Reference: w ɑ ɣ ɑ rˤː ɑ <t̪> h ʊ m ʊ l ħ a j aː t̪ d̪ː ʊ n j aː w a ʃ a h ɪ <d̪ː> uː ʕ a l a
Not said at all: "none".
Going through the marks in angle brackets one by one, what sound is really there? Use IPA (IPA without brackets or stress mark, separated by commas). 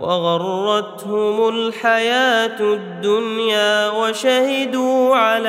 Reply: t̪, d̪